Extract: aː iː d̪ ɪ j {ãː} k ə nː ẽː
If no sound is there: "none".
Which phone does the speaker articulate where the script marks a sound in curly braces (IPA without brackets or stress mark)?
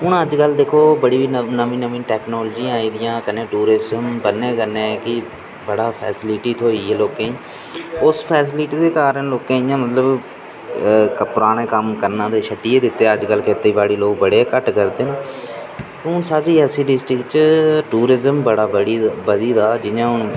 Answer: ãː